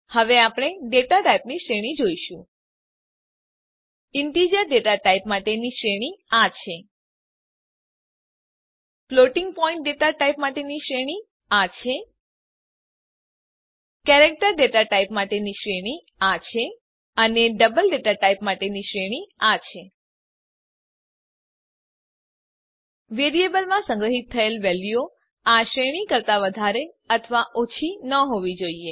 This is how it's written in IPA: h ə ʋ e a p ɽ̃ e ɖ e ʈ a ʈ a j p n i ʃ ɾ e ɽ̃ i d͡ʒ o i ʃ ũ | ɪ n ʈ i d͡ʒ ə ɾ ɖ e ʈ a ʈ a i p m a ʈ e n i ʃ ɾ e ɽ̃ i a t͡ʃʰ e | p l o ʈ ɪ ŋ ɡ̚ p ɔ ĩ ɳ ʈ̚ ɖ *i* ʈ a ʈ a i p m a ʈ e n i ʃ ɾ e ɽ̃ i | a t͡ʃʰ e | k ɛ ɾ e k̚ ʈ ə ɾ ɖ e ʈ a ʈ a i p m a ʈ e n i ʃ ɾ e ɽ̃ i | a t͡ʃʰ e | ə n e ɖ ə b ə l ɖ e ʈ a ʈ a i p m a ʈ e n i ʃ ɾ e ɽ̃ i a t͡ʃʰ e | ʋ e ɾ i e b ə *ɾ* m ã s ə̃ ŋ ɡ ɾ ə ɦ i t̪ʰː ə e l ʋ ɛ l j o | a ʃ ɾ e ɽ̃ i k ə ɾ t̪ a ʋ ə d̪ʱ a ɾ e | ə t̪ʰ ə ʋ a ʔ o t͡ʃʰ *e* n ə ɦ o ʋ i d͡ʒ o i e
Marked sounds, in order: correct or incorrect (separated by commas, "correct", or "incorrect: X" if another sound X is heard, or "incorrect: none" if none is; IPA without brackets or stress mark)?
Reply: incorrect: e, incorrect: l, incorrect: i